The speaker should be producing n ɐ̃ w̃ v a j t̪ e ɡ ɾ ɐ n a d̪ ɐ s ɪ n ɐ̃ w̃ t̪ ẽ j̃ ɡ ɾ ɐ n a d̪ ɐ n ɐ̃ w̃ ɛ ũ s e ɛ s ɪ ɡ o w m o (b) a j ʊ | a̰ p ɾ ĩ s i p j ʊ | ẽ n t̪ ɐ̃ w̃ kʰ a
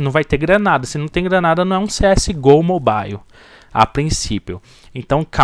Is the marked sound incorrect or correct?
correct